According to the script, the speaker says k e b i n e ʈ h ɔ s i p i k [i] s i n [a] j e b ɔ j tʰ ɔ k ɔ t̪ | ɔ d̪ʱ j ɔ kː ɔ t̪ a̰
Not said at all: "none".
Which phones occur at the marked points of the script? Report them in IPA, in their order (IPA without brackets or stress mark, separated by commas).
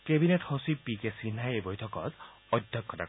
e, a